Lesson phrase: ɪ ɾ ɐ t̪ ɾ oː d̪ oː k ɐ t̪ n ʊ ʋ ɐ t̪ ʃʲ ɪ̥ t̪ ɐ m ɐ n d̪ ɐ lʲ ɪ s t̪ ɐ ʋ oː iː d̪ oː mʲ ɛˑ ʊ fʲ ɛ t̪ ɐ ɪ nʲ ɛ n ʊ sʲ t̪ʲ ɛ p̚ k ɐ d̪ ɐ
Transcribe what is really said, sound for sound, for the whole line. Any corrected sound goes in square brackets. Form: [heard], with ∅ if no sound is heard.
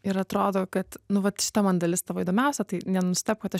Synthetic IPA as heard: ɪ ɾ ɐ t̪ ɾ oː d̪ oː k ɐ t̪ n ʊ ʋ ɐ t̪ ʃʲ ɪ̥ t̪ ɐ m ɐ n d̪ ɐ lʲ ɪ s t̪ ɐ ʋ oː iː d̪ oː mʲ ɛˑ ʊ [sʲ] ɛ t̪ ɐ ɪ nʲ ɛ n ʊ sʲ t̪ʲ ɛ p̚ k ɐ [t̪] ɐ